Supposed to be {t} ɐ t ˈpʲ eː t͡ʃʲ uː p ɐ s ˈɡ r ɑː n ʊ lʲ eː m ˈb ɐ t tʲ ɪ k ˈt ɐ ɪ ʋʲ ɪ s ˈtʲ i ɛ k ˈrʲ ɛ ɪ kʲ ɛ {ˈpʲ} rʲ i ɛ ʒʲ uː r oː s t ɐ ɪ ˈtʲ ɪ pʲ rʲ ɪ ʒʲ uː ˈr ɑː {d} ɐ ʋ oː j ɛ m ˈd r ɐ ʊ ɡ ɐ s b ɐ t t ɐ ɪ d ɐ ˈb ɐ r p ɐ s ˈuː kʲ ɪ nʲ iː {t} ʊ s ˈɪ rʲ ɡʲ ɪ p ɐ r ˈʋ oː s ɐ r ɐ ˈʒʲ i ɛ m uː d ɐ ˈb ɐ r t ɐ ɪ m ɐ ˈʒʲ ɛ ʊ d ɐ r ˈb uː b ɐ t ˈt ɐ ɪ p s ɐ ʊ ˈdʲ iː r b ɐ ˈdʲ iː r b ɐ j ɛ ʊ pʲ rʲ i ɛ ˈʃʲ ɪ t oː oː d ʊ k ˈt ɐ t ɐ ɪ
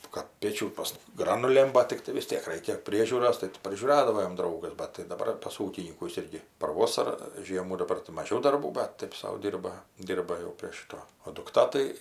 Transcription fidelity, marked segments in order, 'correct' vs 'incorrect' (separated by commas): incorrect, correct, correct, incorrect